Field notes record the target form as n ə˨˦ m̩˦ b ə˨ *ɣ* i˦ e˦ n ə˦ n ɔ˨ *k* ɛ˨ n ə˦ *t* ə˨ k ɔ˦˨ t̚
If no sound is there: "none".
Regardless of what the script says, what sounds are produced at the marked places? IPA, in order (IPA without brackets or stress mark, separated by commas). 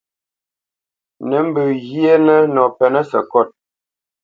ɣ, p, s